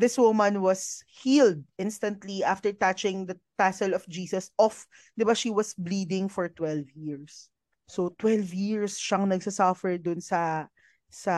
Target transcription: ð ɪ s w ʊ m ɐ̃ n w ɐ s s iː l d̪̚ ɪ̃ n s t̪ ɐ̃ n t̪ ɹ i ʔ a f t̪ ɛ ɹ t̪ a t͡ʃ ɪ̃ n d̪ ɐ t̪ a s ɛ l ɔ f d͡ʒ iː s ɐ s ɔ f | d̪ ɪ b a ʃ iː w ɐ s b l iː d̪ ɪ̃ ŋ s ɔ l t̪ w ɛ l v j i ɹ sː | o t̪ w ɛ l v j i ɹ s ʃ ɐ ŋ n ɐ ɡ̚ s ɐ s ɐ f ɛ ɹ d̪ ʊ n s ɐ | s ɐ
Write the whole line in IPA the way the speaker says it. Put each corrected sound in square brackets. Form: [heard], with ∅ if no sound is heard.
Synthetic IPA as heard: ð ɪ s w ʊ m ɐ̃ n w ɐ s [h] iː l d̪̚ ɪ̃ n s t̪ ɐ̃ n t̪ [l] i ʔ a f t̪ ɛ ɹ t̪ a t͡ʃ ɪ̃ [ŋ] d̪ ɐ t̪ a s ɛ l ɔ f d͡ʒ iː s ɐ s ɔ f | d̪ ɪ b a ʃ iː w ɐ s b l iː d̪ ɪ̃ ŋ [f] ɔ [ɹ] t̪ w ɛ l v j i ɹ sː | o t̪ w ɛ l v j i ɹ s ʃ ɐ ŋ n ɐ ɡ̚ s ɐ s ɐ f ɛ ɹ d̪ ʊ n s ɐ | s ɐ